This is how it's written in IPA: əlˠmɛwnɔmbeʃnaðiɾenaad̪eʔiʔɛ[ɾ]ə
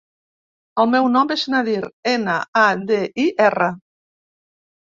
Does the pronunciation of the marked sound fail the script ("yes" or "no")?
yes